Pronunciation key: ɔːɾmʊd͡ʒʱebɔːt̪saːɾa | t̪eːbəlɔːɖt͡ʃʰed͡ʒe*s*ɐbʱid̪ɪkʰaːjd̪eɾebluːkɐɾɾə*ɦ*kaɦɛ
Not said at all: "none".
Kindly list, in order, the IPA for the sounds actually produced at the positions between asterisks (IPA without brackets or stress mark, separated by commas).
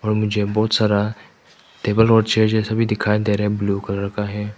s, none